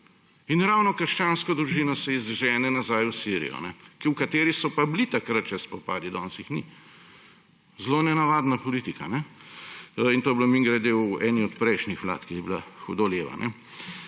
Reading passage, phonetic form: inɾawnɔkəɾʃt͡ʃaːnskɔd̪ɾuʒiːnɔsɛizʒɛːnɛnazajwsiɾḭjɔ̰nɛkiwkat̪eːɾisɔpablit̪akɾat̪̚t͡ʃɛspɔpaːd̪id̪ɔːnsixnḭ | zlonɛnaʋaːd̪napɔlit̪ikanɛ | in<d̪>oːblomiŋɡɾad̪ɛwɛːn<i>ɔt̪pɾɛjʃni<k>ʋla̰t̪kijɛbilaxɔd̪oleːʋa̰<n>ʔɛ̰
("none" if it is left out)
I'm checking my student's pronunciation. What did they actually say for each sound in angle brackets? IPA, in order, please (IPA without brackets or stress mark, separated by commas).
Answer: t̪, i, x, n